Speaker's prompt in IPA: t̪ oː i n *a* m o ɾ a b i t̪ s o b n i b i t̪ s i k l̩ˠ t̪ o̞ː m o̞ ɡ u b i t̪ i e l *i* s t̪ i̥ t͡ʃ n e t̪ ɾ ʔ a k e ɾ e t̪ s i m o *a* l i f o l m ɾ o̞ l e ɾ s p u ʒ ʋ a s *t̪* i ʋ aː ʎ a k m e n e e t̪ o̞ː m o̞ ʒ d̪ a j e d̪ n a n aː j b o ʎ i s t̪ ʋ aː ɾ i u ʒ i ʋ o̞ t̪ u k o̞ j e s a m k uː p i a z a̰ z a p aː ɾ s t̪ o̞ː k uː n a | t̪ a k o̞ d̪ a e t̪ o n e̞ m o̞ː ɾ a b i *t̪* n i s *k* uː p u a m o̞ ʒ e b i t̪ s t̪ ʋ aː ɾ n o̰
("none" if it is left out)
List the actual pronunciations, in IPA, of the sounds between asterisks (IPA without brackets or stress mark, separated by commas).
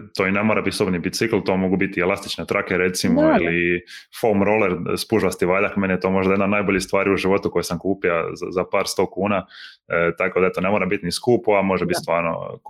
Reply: e, a, i, t̪, t̪, k